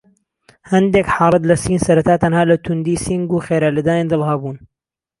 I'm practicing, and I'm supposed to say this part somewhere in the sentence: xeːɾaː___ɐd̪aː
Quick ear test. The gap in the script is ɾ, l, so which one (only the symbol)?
l